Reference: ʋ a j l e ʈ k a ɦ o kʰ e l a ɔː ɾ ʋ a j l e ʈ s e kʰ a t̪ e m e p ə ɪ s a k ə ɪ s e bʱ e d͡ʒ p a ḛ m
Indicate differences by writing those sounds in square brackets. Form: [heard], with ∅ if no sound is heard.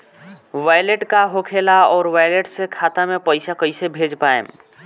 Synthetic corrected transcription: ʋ a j l e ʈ k a ɦ o kʰ e l a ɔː ɾ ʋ a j l e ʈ s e kʰ a t̪ [a] m e p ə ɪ s a k ə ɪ s e bʱ e d͡ʒ p a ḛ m